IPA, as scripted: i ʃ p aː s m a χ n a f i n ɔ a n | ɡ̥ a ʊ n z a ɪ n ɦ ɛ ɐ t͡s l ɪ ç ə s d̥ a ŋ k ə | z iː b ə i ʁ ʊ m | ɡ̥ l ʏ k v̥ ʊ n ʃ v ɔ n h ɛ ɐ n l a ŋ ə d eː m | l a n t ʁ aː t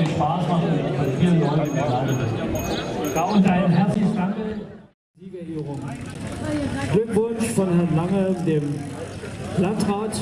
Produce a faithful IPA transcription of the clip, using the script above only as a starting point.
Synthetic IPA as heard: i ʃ p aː s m a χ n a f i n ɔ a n | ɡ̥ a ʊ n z a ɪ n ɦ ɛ ɐ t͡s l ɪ ç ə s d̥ a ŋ k ə | z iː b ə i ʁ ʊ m | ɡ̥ l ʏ k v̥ ʊ n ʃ f ɔ n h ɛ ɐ n l a ŋ ə d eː m | l a n t ʁ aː t